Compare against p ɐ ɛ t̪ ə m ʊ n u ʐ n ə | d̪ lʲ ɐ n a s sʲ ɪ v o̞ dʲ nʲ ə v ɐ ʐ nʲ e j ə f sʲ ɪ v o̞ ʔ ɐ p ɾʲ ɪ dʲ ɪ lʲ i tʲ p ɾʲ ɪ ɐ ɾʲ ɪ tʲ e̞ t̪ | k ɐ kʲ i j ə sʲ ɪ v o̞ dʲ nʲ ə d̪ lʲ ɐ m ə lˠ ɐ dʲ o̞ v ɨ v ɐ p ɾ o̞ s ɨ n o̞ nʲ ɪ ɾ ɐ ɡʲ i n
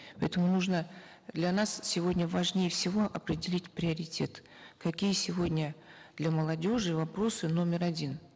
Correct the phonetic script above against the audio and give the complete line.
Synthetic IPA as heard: p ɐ ɛ t̪ ə m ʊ n u ʐ n ə | d̪ lʲ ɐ n a s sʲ ɪ v o̞ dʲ nʲ ə v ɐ ʐ nʲ e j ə f sʲ ɪ v o̞ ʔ ɐ p ɾʲ ɪ dʲ ɪ lʲ i tʲ p ɾʲ ɪ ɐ ɾʲ ɪ tʲ e̞ t̪ | k ɐ kʲ i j ə sʲ ɪ v o̞ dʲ nʲ ə d̪ lʲ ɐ m ə lˠ ɐ dʲ o̞ ʐ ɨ v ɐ p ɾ o̞ s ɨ n o̞ mʲ ɪ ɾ ɐ dʲ i n